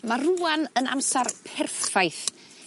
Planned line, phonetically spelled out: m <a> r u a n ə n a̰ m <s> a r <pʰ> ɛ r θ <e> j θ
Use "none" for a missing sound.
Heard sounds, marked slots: a, s, pʰ, a

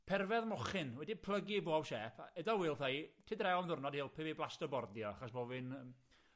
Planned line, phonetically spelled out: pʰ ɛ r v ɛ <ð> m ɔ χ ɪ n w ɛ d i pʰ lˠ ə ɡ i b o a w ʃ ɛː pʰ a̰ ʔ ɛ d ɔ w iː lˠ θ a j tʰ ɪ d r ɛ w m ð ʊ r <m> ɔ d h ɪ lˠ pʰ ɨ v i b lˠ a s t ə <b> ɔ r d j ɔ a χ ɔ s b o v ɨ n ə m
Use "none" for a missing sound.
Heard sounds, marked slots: ð, n, b

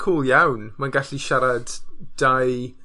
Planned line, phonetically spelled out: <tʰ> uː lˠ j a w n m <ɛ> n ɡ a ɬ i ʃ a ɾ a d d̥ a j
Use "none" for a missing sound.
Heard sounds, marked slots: kʰ, a

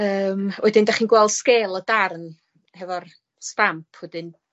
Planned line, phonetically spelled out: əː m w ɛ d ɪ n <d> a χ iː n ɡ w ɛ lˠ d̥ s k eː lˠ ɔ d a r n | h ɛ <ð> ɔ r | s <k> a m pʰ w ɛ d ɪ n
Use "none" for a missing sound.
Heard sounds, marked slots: d, v, t

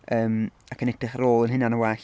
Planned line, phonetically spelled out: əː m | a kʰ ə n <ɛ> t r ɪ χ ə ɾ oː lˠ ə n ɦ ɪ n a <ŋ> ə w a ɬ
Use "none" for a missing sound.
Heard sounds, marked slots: ɛ, n

